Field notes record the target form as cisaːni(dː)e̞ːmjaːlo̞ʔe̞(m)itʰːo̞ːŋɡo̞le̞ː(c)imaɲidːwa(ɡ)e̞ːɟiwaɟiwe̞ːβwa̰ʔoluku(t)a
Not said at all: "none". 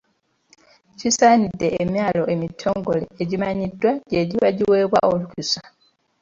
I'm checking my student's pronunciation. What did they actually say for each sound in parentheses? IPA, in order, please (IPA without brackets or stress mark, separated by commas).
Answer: dː, m, ɟ, ɟ, s